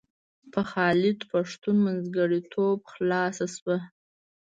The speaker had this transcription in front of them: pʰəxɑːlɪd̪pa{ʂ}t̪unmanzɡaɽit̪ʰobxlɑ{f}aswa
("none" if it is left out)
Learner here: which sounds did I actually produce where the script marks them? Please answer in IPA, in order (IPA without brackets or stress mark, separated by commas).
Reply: ʂ, s